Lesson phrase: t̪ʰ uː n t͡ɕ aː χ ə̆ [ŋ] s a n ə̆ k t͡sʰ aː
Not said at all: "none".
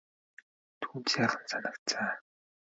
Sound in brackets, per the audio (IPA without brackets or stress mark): n